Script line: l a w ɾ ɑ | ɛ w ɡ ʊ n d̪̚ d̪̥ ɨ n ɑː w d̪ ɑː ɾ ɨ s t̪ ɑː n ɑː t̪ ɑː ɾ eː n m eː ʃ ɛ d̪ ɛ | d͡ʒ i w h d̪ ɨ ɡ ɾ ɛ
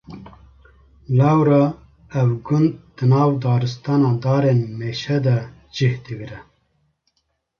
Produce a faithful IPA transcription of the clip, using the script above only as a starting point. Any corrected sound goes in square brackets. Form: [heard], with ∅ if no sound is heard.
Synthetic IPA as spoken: l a w ɾ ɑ | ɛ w ɡ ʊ n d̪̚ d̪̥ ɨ n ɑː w d̪ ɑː ɾ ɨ s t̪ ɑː n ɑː [d̪] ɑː ɾ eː n m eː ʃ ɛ d̪ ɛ | d͡ʒ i [∅] h d̪ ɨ ɡ ɾ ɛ